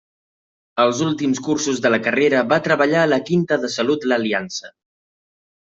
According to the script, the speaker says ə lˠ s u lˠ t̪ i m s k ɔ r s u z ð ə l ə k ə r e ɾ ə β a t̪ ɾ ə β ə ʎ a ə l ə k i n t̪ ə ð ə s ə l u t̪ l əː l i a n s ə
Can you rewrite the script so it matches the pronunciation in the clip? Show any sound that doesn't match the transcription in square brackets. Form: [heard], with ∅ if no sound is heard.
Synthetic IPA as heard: ə lˠ [z] u lˠ t̪ i m s k [u] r s u z ð ə l ə k ə r e ɾ ə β a t̪ ɾ ə β ə ʎ a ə l ə k i n t̪ ə ð ə s ə l u t̪ l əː l i a n s ə